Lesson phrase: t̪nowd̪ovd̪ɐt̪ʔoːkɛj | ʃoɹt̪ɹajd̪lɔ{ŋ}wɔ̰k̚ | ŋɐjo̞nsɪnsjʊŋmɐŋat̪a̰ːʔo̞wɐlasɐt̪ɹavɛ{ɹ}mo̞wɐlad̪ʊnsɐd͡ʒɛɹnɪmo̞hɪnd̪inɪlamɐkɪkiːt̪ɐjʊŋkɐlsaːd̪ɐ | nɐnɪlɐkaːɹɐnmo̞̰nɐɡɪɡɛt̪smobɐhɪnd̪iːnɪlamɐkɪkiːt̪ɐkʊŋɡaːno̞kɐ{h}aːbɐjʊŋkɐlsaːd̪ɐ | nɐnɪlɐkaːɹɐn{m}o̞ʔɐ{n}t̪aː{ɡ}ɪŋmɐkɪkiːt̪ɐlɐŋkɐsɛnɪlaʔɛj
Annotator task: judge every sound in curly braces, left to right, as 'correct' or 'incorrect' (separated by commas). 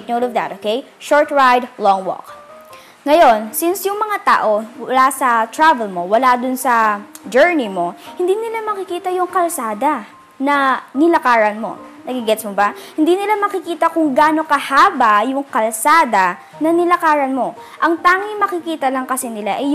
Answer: correct, incorrect, correct, correct, incorrect, incorrect